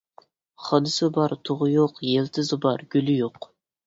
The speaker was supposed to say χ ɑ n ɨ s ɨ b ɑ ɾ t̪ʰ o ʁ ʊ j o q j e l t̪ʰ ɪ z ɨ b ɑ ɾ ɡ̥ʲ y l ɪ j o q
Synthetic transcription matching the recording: χ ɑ n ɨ s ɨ b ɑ ɾ t̪ʰ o ʁ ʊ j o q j e l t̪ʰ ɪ z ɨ b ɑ ɾ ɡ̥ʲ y l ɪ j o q